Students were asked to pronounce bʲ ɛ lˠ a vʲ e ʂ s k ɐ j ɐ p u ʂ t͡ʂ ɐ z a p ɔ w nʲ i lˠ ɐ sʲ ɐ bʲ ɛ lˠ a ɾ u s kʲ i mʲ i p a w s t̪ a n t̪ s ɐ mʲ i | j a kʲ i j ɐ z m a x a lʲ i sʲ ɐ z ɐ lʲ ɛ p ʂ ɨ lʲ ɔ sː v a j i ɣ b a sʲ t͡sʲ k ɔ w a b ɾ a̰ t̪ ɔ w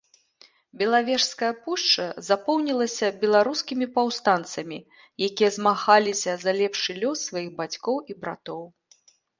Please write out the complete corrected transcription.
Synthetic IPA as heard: bʲ ɛ lˠ a vʲ ɛ ʂ s k ɐ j ɐ p u ʂ t͡ʂ ɐ z a p ɔ w nʲ i lˠ ɐ sʲ ɐ bʲ ɛ lˠ a ɾ u s kʲ i mʲ i p a w s t̪ a n t̪ s ɐ mʲ i | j a kʲ i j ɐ z m a x a lʲ i sʲ ɐ z ɐ lʲ ɛ p ʂ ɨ lʲ ɔ sː v a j i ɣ b a t͡sʲ k ɔ w i b ɾ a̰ t̪ ɔ w